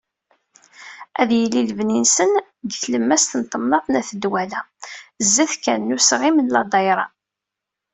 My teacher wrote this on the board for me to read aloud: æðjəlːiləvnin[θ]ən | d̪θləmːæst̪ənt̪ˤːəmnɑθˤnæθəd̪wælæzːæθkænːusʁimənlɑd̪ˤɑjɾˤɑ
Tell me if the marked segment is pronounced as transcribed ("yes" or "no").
no